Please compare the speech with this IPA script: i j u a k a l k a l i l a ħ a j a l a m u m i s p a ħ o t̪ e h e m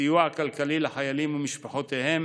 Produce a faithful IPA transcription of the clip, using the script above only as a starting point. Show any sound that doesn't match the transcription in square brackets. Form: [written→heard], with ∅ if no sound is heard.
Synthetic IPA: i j u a k a l k a l i l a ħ a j a l [a→i] m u m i [s→ʃ] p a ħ o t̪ e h e m